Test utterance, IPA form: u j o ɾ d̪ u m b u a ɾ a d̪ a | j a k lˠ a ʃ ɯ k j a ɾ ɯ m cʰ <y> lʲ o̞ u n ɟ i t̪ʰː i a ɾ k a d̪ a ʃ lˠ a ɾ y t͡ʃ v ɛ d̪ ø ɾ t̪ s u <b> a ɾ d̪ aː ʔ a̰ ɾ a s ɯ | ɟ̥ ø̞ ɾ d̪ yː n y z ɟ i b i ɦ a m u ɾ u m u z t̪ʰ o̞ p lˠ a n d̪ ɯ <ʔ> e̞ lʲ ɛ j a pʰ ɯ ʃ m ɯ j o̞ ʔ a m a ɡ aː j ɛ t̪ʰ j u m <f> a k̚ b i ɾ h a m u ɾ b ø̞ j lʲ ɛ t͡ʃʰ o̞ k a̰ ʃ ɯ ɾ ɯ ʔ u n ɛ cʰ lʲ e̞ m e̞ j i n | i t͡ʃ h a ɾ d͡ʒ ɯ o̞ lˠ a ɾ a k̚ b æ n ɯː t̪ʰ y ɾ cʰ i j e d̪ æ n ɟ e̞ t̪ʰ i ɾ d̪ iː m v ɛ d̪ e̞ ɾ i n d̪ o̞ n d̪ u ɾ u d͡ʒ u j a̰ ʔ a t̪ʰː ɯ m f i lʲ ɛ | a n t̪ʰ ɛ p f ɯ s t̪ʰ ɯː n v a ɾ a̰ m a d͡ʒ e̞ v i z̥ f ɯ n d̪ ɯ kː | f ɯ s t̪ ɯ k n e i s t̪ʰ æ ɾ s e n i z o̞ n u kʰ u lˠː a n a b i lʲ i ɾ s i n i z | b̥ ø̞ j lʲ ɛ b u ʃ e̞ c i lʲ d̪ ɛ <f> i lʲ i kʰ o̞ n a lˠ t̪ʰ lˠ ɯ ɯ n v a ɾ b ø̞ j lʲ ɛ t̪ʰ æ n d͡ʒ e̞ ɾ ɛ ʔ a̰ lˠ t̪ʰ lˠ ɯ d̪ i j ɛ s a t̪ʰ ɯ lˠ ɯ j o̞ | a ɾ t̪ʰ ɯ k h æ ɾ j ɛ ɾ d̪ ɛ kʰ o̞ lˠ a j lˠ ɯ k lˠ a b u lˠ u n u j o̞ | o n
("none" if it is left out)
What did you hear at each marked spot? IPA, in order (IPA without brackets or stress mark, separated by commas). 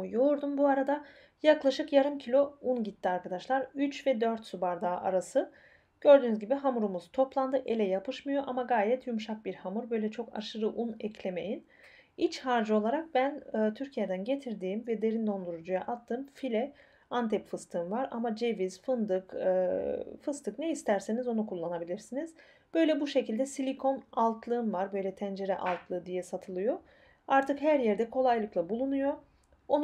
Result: i, b, ʔ, ʃ, s